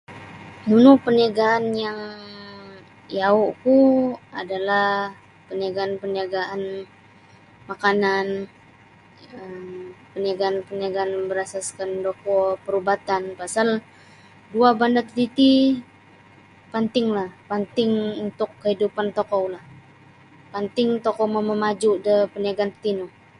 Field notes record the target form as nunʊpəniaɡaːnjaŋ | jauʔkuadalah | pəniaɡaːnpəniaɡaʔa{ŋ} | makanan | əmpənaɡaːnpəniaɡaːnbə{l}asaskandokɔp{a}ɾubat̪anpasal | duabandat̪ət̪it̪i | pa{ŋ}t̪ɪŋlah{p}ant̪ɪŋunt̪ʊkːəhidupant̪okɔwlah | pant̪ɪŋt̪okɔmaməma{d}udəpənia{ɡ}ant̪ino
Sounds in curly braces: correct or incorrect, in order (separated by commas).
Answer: incorrect, incorrect, incorrect, incorrect, correct, incorrect, correct